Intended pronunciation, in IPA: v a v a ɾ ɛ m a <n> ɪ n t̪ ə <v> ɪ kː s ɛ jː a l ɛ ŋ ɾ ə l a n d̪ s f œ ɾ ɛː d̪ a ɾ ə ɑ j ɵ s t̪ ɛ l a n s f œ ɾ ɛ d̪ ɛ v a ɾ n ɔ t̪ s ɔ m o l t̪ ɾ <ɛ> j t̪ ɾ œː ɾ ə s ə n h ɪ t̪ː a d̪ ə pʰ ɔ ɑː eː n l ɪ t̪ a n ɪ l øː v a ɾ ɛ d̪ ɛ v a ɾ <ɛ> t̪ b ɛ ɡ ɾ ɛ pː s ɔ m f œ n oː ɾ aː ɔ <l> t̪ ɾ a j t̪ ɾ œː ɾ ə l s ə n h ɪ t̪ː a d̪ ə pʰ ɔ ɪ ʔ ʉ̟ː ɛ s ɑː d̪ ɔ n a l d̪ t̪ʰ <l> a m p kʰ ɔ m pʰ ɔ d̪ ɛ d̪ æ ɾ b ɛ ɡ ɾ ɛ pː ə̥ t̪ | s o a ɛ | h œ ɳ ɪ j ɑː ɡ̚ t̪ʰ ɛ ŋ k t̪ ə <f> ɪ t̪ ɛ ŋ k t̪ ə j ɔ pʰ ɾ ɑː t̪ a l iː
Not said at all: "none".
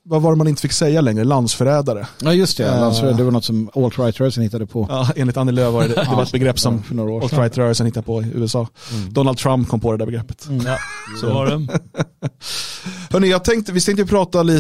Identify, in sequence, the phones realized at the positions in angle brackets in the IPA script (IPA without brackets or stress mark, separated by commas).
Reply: n, f, a, ɛ, l, ɾ, v